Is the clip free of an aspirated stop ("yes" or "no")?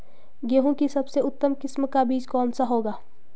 yes